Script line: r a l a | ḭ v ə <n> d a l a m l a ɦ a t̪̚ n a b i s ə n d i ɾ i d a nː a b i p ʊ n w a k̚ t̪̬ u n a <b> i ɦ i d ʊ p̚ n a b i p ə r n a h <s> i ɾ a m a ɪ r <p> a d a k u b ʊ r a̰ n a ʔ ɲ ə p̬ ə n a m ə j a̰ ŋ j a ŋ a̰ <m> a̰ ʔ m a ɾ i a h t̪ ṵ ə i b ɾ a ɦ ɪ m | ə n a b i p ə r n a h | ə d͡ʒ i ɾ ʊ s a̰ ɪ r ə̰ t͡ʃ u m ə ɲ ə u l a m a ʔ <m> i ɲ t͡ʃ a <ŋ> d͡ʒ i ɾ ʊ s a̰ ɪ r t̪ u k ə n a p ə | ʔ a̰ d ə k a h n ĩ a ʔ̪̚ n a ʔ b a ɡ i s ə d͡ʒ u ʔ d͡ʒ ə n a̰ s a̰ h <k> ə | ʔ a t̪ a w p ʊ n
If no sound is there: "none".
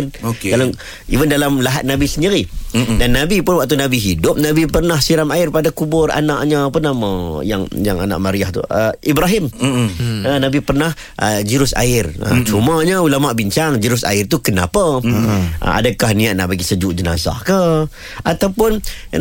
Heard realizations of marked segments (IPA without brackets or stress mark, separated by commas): n, b, s, p, n, b, ŋ, k